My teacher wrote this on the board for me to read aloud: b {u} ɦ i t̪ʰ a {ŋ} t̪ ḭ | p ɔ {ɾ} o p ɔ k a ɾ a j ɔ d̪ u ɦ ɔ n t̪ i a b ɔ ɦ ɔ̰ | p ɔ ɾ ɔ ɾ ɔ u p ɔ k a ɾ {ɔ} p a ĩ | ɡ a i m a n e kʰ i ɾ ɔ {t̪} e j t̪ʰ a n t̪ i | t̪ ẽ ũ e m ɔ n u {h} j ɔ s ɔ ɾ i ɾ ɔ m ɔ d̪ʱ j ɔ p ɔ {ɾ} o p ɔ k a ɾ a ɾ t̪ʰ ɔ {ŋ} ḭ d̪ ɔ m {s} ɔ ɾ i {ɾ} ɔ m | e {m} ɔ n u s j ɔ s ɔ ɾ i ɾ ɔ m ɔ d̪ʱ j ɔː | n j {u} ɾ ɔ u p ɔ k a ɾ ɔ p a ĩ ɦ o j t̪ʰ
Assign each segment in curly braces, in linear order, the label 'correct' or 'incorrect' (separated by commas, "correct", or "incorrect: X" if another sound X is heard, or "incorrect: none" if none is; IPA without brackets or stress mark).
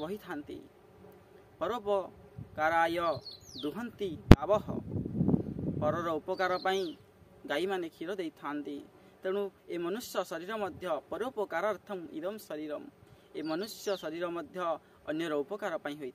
incorrect: ɔ, incorrect: n, correct, correct, incorrect: d̪, incorrect: s, correct, incorrect: m, correct, correct, correct, incorrect: ɔ